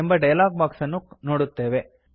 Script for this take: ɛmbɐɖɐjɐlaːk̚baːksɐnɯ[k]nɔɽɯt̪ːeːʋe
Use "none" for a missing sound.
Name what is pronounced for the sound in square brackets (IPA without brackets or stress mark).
k